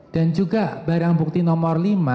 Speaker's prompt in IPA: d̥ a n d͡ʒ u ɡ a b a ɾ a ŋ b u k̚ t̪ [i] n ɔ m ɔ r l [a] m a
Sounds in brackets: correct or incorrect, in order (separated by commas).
correct, incorrect